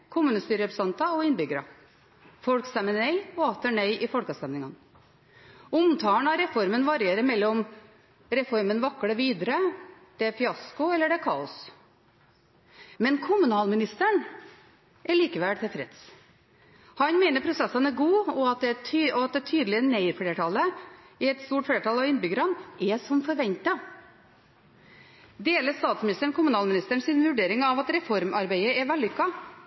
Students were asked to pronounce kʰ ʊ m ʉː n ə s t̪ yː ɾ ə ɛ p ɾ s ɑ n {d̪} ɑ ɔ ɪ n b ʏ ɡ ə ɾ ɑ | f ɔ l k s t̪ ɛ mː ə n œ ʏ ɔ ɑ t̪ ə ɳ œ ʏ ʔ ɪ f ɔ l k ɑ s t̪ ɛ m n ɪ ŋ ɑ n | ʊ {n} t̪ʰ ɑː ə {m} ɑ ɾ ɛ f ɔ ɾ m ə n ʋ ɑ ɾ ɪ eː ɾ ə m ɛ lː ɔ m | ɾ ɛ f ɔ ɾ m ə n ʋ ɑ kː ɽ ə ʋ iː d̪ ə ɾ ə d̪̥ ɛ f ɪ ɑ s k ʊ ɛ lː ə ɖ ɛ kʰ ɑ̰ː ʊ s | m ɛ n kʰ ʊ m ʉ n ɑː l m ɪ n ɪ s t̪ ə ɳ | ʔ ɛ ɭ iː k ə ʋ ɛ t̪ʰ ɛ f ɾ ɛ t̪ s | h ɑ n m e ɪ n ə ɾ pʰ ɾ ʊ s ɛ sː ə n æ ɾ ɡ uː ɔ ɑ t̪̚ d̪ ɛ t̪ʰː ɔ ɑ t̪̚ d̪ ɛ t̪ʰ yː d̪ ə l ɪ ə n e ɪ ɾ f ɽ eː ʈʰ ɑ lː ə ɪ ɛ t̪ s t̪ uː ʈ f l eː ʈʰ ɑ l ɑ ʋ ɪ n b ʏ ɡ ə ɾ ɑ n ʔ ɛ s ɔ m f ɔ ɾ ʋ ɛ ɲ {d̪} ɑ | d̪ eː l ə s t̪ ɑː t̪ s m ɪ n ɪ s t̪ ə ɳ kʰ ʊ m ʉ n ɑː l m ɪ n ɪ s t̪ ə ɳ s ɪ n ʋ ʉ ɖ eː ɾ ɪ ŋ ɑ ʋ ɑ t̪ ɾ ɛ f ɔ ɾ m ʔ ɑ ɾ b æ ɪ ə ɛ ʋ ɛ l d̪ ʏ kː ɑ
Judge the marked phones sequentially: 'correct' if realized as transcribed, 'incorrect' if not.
incorrect: t̪, incorrect: m, incorrect: ɳ, incorrect: t̪

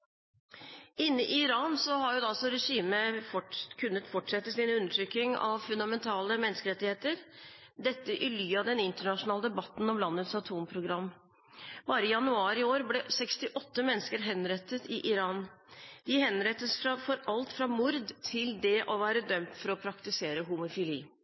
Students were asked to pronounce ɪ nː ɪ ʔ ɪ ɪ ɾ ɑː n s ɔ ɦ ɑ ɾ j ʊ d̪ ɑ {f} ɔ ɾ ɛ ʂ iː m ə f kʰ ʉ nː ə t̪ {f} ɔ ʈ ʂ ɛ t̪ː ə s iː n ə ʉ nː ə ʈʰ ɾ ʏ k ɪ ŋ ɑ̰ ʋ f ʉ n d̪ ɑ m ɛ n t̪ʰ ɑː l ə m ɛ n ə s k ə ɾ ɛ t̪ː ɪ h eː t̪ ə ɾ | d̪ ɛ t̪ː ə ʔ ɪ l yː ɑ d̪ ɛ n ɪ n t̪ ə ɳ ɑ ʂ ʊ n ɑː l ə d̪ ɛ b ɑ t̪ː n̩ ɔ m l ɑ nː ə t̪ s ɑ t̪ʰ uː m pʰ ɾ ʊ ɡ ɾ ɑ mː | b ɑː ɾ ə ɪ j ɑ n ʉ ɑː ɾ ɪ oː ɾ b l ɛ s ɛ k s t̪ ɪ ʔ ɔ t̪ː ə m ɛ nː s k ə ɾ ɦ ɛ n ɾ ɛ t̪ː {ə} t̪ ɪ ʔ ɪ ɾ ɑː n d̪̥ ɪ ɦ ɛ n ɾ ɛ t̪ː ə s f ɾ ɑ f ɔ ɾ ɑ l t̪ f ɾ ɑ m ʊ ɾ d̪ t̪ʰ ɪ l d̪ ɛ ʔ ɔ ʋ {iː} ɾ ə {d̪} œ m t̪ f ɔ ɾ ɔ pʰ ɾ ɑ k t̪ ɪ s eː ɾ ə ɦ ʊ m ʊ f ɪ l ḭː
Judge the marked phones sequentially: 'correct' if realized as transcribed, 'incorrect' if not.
incorrect: s, correct, correct, incorrect: æː, correct

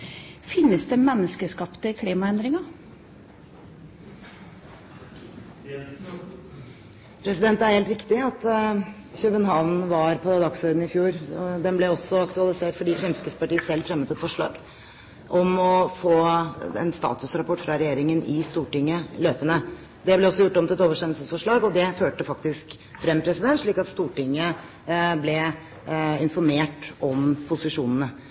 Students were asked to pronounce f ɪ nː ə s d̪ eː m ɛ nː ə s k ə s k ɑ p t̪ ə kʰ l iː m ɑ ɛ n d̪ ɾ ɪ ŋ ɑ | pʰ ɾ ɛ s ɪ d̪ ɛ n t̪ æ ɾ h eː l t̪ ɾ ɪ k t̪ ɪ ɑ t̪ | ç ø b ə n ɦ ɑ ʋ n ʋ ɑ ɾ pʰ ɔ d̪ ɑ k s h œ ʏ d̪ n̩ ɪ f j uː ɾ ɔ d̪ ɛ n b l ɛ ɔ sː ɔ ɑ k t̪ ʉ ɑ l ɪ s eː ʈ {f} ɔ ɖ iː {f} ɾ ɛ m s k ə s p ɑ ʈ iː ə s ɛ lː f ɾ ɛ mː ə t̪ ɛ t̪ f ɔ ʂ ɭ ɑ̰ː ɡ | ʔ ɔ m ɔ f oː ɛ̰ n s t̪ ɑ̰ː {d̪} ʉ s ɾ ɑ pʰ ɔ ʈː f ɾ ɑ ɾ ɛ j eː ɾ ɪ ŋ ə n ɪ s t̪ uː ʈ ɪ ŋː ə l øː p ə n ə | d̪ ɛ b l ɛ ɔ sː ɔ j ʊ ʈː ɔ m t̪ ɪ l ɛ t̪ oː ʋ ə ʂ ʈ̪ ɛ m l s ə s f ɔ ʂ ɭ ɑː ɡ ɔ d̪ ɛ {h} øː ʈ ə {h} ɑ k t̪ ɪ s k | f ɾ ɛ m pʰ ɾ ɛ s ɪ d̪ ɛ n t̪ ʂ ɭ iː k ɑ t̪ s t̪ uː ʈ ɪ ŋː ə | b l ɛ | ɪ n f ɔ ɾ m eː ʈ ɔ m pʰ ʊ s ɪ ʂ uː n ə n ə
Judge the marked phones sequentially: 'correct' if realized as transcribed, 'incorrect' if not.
correct, correct, incorrect: t̪, incorrect: f, incorrect: f

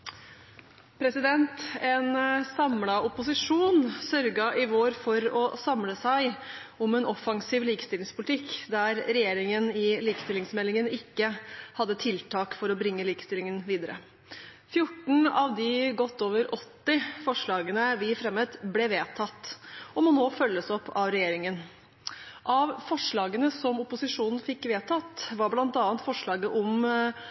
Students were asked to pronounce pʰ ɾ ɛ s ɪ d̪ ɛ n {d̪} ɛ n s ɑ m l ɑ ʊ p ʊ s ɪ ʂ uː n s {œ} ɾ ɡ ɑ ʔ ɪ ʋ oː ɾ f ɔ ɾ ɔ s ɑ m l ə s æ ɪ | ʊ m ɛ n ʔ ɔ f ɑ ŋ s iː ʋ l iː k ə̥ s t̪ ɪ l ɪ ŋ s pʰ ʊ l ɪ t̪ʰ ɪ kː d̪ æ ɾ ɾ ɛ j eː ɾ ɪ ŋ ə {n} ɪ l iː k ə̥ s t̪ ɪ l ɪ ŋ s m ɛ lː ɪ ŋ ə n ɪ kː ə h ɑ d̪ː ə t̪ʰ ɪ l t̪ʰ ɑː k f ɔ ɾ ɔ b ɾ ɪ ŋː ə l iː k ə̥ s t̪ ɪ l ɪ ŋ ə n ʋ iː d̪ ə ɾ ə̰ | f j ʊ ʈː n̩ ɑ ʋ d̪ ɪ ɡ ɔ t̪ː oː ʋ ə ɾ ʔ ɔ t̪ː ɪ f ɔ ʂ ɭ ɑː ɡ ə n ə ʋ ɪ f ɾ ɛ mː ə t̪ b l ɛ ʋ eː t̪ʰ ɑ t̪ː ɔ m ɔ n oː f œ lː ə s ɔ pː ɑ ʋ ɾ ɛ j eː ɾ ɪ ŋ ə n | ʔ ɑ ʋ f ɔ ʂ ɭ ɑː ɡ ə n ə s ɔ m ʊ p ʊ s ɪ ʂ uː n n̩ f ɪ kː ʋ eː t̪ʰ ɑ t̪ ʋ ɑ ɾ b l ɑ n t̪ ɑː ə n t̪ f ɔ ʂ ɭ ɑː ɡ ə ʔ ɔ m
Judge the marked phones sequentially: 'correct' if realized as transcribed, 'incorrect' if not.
incorrect: t̪, correct, correct

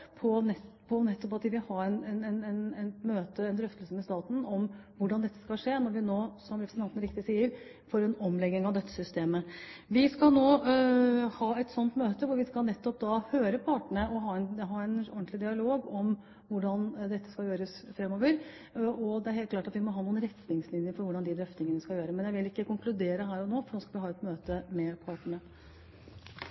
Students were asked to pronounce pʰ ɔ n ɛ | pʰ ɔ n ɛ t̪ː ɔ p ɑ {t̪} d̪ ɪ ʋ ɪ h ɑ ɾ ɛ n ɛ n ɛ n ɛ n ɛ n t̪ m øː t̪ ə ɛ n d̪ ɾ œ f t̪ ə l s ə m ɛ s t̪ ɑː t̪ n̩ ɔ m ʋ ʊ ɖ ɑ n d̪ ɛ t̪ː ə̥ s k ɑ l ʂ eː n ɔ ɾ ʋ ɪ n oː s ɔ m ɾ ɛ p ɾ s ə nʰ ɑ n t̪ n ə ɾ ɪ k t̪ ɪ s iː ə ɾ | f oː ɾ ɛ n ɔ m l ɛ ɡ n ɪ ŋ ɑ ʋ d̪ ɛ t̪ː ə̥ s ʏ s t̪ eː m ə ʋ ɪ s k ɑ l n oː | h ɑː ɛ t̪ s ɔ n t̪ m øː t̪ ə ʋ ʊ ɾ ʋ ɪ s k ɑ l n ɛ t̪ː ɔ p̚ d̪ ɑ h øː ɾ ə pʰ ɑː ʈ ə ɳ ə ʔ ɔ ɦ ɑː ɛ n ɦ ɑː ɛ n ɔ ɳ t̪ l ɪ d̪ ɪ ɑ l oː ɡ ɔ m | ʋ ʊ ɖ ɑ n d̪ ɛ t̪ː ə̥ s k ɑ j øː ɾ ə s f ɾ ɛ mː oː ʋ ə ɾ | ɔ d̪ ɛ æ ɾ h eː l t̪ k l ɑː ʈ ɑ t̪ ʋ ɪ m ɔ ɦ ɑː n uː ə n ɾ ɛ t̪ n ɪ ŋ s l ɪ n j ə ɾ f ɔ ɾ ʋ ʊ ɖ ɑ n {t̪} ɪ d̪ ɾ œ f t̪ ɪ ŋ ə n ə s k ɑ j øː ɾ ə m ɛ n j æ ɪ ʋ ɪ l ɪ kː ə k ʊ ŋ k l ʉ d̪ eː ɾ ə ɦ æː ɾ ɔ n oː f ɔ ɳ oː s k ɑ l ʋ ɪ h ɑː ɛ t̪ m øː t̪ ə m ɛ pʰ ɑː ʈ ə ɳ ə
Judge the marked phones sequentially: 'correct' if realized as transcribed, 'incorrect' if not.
correct, incorrect: d̪

